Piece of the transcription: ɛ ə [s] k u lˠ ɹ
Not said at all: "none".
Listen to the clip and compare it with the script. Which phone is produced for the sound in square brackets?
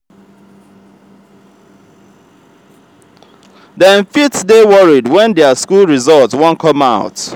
s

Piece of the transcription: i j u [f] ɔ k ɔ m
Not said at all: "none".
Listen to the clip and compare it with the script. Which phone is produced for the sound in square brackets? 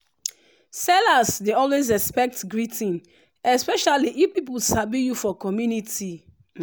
f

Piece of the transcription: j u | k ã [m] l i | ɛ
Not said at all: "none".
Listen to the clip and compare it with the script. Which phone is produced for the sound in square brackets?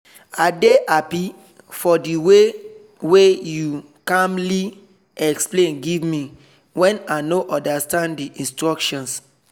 m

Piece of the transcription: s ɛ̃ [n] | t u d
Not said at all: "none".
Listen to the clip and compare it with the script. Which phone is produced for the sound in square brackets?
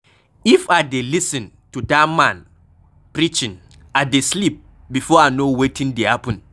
n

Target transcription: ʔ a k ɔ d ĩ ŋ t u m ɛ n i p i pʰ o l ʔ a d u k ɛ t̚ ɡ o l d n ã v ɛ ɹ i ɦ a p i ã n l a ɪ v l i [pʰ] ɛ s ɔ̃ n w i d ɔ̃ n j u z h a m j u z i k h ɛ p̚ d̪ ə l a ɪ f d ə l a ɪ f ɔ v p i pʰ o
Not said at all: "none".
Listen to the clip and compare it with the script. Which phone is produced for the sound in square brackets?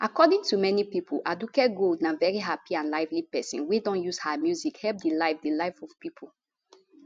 p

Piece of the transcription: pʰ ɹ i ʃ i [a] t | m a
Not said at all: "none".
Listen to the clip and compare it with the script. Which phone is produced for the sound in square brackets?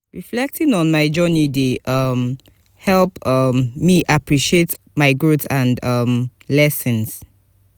e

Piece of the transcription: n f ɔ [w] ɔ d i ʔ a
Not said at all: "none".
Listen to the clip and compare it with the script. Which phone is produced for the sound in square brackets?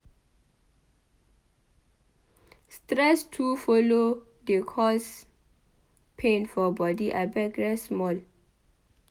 b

